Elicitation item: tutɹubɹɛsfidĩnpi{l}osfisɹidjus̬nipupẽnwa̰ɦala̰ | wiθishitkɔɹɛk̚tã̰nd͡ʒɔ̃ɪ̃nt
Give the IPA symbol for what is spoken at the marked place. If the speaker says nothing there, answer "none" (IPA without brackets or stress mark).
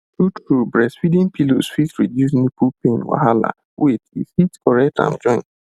l